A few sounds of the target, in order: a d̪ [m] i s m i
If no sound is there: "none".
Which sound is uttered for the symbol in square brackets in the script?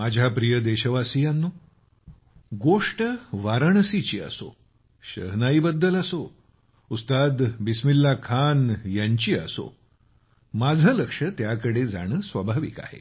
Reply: b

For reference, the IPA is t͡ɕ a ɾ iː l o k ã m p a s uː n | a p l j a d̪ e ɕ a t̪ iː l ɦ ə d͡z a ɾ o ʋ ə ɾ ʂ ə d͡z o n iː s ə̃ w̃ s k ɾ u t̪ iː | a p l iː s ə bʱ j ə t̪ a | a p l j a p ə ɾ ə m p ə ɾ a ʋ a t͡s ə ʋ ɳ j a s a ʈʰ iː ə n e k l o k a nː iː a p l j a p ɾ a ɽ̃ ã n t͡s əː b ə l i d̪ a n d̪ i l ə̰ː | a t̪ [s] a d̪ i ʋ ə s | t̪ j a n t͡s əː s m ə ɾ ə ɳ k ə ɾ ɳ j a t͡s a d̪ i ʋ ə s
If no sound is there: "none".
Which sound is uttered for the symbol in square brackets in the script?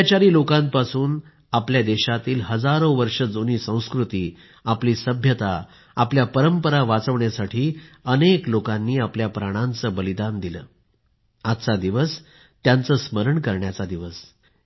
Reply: t͡s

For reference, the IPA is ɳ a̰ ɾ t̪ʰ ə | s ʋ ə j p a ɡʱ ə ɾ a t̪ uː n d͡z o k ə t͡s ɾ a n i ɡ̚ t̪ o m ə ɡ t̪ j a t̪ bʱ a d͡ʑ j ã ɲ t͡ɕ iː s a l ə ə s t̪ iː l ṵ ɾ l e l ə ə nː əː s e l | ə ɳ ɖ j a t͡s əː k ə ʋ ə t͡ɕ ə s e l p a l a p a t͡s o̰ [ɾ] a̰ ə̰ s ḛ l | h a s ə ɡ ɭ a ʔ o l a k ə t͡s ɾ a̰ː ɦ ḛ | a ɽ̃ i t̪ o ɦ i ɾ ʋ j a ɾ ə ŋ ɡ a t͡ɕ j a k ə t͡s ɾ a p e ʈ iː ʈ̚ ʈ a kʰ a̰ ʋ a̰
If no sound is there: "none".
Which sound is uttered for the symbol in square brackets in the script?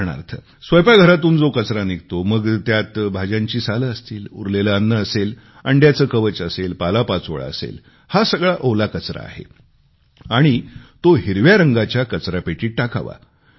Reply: ɭ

